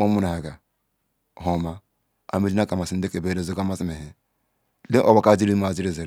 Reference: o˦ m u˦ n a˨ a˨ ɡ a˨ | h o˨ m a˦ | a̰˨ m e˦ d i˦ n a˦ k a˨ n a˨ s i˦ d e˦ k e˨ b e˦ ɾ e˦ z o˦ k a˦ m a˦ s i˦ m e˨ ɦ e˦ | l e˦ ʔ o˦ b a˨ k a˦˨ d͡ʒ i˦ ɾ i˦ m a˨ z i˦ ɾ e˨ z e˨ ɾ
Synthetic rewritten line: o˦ m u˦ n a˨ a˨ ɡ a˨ | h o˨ m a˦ | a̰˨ m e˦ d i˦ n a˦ k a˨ m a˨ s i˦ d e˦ k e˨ b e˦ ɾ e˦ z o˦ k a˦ m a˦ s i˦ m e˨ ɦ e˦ | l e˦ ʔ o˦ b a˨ k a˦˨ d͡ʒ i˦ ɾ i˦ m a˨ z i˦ ɾ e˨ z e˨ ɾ

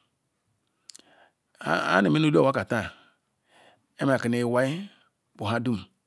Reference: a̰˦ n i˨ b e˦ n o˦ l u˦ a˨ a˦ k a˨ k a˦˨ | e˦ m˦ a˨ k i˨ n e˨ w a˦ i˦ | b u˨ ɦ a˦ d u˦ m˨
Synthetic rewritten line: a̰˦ n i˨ m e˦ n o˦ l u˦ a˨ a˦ k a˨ t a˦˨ | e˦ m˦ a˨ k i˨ n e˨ w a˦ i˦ | b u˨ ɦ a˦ d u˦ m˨

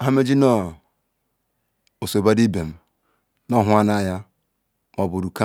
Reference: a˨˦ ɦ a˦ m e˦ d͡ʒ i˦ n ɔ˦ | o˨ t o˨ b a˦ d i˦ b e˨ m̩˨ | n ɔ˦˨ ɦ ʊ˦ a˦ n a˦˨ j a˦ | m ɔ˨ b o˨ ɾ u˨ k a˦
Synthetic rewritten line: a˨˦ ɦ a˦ m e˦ d͡ʒ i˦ n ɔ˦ | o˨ s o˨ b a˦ d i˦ b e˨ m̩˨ | n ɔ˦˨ ɦ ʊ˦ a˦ n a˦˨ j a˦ | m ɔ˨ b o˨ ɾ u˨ k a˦

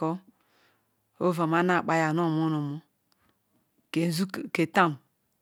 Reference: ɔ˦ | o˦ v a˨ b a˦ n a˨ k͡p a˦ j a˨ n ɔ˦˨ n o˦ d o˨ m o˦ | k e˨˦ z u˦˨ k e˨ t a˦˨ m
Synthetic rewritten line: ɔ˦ | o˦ v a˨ m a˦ n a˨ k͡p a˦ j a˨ n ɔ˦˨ m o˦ n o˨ m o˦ | k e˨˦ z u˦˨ k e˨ t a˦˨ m

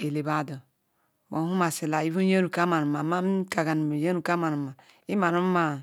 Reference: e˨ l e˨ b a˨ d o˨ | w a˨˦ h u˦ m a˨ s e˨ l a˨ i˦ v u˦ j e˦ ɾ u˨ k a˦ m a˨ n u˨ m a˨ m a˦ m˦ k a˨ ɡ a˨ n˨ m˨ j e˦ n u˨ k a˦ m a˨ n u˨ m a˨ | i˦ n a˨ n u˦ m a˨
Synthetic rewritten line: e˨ l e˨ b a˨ d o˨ | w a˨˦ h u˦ m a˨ s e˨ l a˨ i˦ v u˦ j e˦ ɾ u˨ k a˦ m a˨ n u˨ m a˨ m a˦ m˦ k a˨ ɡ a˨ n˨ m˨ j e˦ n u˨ k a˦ m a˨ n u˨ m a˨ | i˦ m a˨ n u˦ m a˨

